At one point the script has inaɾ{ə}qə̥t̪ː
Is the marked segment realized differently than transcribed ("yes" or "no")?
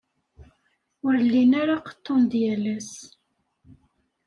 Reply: yes